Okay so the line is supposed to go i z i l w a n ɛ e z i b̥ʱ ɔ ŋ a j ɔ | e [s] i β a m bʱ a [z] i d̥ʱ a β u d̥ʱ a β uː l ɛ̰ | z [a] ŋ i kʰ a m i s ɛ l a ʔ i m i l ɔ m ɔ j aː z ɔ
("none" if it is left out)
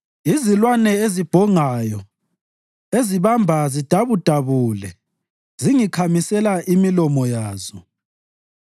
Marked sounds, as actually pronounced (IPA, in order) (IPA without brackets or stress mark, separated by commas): z, z, i